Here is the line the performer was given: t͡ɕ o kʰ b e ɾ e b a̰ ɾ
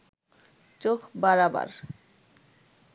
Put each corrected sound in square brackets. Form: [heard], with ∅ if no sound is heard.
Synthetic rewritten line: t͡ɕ o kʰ b [a] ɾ [a] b a̰ ɾ